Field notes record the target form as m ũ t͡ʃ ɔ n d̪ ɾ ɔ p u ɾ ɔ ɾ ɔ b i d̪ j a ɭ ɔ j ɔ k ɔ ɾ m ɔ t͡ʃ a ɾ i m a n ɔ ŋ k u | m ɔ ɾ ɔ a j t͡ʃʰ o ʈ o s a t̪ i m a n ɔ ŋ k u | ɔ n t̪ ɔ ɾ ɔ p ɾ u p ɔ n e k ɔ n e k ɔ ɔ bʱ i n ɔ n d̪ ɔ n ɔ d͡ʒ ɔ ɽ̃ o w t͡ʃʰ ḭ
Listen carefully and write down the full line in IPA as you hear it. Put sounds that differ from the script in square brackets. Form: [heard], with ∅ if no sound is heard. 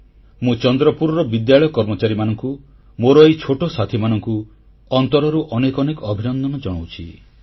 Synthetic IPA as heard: m ũ t͡ʃ ɔ n d̪ ɾ ɔ p u ɾ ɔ ɾ ɔ b i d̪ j a ɭ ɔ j ɔ k ɔ ɾ m ɔ t͡ʃ a ɾ i m a n ɔ ŋ k u | m [o] ɾ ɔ [e] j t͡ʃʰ o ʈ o s a [t̪ʰ] i m a n ɔ ŋ k u | ɔ n t̪ ɔ ɾ ɔ [∅] ɾ u [ʔ] ɔ n e k ɔ n e k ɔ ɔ bʱ i n ɔ n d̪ ɔ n ɔ d͡ʒ ɔ ɽ̃ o w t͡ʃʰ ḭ

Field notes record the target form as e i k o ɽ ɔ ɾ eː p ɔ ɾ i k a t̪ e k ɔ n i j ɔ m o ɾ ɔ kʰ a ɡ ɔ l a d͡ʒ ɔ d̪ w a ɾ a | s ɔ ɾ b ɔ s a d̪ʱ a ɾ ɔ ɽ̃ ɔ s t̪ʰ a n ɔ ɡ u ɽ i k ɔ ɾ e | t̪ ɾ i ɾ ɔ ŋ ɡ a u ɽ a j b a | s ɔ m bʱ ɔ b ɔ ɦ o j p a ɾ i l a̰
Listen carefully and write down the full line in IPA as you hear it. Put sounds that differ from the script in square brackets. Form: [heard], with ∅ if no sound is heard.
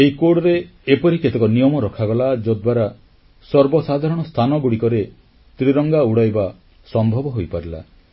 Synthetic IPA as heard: e i k o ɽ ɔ ɾ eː p ɔ ɾ i k [e] t̪ e k ɔ n i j ɔ m [ɔ] ɾ ɔ kʰ a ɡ ɔ l a d͡ʒ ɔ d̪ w a ɾ a | s ɔ ɾ b ɔ s a d̪ʱ a ɾ ɔ ɽ̃ ɔ s t̪ʰ a n ɔ ɡ u ɽ i k ɔ ɾ e | t̪ ɾ i ɾ ɔ ŋ ɡ a u ɽ a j b a | s ɔ m bʱ ɔ b ɔ ɦ o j p a ɾ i l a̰

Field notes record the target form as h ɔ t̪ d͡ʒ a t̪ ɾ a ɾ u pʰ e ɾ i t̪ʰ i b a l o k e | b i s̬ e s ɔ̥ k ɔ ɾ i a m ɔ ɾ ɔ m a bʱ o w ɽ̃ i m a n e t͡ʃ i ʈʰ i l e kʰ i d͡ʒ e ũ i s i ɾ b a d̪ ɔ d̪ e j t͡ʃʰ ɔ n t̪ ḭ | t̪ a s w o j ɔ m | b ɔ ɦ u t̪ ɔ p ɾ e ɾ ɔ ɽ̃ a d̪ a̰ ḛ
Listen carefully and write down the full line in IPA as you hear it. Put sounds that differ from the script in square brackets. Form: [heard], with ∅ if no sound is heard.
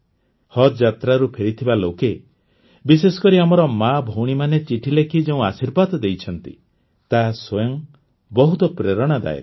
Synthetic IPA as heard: h ɔ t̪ d͡ʒ a t̪ ɾ a ɾ u pʰ e ɾ i t̪ʰ i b a l o k e | b i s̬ e s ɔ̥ k ɔ ɾ i a m ɔ ɾ ɔ m a bʱ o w ɽ̃ i m a n e t͡ʃ i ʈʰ i l e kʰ i d͡ʒ e ũ [a] s i ɾ b a d̪ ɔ d̪ e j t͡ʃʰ ɔ n t̪ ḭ | t̪ a s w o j ɔ [ŋ] | b ɔ ɦ u t̪ ɔ p ɾ e ɾ ɔ ɽ̃ a d̪ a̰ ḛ

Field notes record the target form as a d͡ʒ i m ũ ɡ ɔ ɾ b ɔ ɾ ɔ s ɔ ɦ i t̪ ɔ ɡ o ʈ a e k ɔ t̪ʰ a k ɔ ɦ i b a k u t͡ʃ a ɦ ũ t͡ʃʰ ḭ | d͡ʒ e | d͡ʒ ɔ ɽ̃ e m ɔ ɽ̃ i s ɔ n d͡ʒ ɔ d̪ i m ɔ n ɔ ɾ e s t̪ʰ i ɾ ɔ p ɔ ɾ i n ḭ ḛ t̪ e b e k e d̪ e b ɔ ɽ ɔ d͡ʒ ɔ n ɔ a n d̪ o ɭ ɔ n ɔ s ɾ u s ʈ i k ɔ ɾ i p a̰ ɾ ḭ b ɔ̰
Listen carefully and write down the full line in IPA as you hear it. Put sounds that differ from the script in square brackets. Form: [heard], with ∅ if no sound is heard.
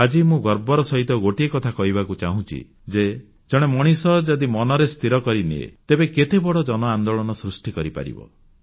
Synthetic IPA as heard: a d͡ʒ i m ũ ɡ ɔ ɾ b ɔ ɾ ɔ s ɔ ɦ i t̪ ɔ ɡ o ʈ [i] e k ɔ t̪ʰ a k ɔ ɦ i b a k u t͡ʃ a ɦ ũ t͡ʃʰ ḭ | d͡ʒ e | d͡ʒ ɔ ɽ̃ e m ɔ ɽ̃ i s ɔ [∅] d͡ʒ ɔ d̪ i m ɔ n ɔ ɾ e s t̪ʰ i ɾ ɔ [k] ɔ ɾ i n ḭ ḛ t̪ e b e k e [t̪] e b ɔ ɽ ɔ d͡ʒ ɔ n ɔ a n d̪ o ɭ ɔ n ɔ s ɾ u s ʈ i k ɔ ɾ i p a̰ ɾ ḭ b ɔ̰

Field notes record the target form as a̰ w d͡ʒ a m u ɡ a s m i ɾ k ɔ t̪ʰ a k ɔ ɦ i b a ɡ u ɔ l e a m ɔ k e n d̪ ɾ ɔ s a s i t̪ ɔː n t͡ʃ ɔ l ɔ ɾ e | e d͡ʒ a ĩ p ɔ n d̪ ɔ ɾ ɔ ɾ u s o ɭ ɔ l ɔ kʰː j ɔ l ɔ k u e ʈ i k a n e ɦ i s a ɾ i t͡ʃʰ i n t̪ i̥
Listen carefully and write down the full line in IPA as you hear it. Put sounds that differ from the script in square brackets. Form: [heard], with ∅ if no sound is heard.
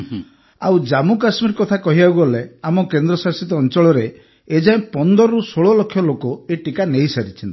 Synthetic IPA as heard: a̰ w d͡ʒ a m u [k] a s m i ɾ k ɔ t̪ʰ a k ɔ ɦ i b a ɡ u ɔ l e a m ɔ k e n d̪ ɾ ɔ s a s i t̪ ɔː n t͡ʃ ɔ [ɭ] ɔ ɾ e | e d͡ʒ a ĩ p ɔ n d̪ ɔ ɾ ɔ ɾ u s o ɭ ɔ l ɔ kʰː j ɔ l [o] k [ɔ] e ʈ i k a n e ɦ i s a ɾ i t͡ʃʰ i n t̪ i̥

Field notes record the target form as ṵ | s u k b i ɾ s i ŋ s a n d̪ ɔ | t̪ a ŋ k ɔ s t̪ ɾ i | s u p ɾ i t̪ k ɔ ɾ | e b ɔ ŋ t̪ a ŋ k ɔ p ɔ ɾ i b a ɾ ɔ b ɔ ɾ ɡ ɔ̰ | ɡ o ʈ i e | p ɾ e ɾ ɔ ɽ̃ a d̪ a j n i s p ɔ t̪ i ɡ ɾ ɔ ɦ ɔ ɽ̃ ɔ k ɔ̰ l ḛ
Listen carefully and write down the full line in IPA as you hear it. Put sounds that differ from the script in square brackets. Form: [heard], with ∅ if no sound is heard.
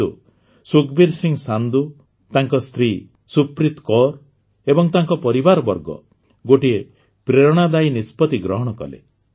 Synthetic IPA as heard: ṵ | s u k b i ɾ s i ŋ s a n d̪ [u] | t̪ a ŋ k ɔ s t̪ ɾ i | s u p ɾ i t̪ k ɔ ɾ | e b ɔ ŋ t̪ a ŋ k ɔ p ɔ ɾ i b a ɾ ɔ b ɔ ɾ ɡ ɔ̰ | ɡ o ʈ i e | p ɾ e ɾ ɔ ɽ̃ a d̪ a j n i s p ɔ t̪ i ɡ ɾ ɔ ɦ ɔ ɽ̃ ɔ k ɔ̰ l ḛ

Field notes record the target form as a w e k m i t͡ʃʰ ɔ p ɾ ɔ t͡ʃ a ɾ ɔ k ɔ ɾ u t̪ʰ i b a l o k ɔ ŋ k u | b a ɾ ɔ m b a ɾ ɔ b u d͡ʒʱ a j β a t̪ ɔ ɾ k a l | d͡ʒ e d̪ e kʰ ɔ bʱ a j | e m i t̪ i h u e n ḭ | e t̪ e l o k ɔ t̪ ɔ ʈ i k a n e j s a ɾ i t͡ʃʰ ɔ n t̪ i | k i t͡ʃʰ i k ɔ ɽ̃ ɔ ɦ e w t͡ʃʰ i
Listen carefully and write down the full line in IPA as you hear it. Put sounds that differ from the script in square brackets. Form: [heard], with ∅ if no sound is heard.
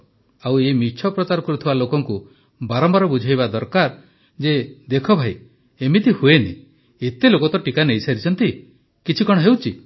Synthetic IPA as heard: a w e [∅] m i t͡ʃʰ ɔ p ɾ ɔ t͡ʃ a ɾ ɔ k ɔ ɾ u t̪ʰ i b a l o k ɔ ŋ k u | b a ɾ ɔ m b a ɾ ɔ b u d͡ʒʱ a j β a [d̪] ɔ ɾ k a [ɾ] | d͡ʒ e d̪ e kʰ ɔ bʱ a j | e m i t̪ i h u e n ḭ | e t̪ e l o k ɔ t̪ ɔ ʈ i k a n e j s a ɾ i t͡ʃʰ ɔ n t̪ i | k i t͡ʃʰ i k ɔ ɽ̃ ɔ ɦ e w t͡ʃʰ i

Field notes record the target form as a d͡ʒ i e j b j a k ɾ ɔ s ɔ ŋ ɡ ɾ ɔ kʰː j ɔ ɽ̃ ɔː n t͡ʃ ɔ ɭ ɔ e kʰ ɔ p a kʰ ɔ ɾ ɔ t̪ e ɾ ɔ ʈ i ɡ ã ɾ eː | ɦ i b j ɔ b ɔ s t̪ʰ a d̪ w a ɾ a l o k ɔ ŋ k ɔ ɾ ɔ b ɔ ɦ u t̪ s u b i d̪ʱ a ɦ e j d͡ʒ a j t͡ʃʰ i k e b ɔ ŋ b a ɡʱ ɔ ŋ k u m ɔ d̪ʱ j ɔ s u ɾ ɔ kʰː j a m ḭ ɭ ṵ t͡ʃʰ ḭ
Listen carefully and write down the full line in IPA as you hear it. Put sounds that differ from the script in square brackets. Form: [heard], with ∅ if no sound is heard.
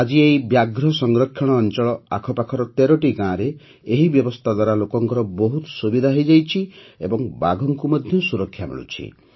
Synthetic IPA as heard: a d͡ʒ i e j b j a [ɡ] ɾ ɔ s ɔ ŋ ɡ ɾ ɔ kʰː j ɔ ɽ̃ ɔː n t͡ʃ ɔ ɭ ɔ [a] kʰ ɔ p a kʰ ɔ ɾ ɔ t̪ e ɾ ɔ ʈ i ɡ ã ɾ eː | ɦ i b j ɔ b ɔ s t̪ʰ a d̪ w a ɾ a l o k ɔ ŋ k ɔ ɾ ɔ b ɔ ɦ u t̪ s u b i d̪ʱ a ɦ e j d͡ʒ a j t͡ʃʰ i [∅] e b ɔ ŋ b a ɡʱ ɔ ŋ k u m ɔ d̪ʱ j ɔ s u ɾ ɔ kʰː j a m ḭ ɭ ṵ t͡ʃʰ ḭ

